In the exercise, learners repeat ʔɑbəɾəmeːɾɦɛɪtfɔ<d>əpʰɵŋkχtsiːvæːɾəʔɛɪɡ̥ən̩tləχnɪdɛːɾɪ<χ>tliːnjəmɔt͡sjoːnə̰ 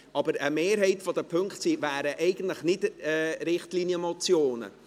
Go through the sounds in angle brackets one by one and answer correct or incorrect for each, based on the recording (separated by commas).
correct, correct